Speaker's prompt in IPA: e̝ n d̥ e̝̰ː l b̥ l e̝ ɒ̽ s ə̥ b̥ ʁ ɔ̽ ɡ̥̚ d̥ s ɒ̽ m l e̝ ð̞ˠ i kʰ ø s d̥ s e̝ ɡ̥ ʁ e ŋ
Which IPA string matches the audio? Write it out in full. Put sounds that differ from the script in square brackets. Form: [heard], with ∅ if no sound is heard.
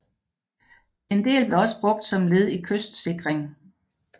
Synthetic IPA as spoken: e̝ n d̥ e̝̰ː l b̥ l e̝ ɒ̽ s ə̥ b̥ ʁ ɔ̽ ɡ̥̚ d̥ s ɒ̽ m l e̝ ð̞ˠ i kʰ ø s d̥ s e̝ ɡ̥ ʁ e ŋ